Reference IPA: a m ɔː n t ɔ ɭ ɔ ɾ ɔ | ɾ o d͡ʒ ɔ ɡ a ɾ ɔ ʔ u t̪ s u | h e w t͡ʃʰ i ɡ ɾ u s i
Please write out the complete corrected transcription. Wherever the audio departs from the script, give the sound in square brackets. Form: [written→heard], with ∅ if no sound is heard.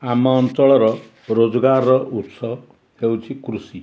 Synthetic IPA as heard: a m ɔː n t ɔ ɭ ɔ ɾ ɔ | ɾ o d͡ʒ ɔ ɡ a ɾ ɔ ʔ u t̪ s [u→ɔ] | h e w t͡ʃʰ i [ɡ→k] ɾ u s i